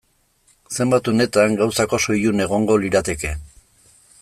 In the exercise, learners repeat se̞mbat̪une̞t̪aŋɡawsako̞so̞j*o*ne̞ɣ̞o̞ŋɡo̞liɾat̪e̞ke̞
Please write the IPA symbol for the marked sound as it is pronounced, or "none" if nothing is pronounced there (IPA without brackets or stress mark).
u